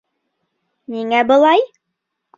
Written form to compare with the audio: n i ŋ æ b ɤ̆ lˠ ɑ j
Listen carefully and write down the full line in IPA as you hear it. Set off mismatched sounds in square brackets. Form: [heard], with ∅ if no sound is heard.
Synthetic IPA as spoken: n i ŋ æ b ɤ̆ lˠ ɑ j